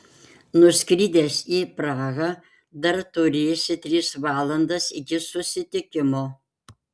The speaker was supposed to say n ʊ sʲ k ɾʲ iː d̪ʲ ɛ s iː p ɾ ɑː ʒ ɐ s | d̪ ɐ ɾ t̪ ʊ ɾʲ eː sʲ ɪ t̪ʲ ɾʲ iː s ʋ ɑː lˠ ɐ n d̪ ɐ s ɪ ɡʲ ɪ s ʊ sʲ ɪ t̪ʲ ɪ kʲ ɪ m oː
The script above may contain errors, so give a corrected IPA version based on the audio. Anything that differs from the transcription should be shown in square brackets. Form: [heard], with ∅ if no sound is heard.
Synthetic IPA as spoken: n ʊ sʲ k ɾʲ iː d̪ʲ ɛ s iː p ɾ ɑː [ɣ] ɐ [∅] | d̪ ɐ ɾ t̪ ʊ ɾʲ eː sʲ ɪ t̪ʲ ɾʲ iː s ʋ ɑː lˠ ɐ n d̪ ɐ s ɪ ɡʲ ɪ s ʊ sʲ ɪ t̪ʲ ɪ kʲ ɪ m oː